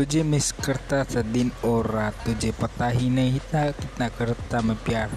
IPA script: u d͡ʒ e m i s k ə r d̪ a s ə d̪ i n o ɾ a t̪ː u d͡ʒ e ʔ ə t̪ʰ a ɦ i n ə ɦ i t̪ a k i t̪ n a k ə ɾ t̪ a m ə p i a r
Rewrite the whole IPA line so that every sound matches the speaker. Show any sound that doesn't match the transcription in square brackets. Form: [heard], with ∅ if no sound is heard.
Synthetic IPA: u d͡ʒ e m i s k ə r [t̪] a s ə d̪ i n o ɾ a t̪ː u d͡ʒ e [p] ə [t̪] a ɦ i n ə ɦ i t̪ a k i t̪ n a k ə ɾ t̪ a m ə p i a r